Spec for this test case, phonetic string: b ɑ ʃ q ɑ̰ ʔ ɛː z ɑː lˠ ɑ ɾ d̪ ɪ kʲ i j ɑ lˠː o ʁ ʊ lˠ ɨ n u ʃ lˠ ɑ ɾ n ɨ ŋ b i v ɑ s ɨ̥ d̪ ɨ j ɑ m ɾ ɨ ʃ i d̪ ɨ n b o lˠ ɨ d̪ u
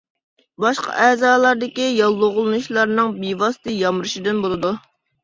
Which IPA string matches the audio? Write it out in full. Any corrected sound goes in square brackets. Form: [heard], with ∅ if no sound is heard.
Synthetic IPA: b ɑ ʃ q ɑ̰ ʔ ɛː z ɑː lˠ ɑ ɾ d̪ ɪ kʲ i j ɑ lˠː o ʁ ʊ lˠ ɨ n u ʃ lˠ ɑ ɾ n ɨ ŋ b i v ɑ s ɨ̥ [t̪] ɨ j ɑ m ɾ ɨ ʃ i d̪ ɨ n b o lˠ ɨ d̪ u